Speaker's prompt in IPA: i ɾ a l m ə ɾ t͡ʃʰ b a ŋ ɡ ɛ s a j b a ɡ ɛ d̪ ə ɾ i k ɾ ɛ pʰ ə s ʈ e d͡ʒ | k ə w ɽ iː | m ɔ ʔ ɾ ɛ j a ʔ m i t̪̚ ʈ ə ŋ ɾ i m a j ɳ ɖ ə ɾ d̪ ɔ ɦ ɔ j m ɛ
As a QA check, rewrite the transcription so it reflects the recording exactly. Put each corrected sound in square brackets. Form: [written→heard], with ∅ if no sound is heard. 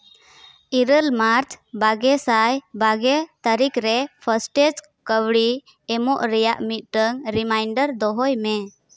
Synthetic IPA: i ɾ [a→ə] l m [ə→a] ɾ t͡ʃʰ b a [ŋ→∅] ɡ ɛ s a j b a ɡ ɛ [d̪→t̪] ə ɾ i k ɾ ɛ pʰ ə s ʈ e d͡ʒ | k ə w ɽ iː | m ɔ ʔ ɾ ɛ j a ʔ m i t̪̚ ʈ ə ŋ ɾ i m a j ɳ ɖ ə ɾ d̪ ɔ ɦ ɔ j m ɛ